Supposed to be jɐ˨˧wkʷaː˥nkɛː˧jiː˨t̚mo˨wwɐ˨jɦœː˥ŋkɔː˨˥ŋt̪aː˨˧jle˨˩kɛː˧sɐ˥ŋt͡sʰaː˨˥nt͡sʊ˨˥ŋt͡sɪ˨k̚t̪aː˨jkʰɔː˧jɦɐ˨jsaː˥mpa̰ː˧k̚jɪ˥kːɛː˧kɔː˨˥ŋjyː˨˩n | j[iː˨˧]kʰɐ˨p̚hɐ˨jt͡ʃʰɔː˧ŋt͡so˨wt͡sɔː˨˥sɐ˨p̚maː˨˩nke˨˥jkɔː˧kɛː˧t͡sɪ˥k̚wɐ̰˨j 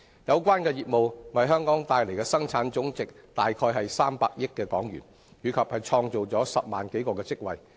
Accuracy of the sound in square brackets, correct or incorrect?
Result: incorrect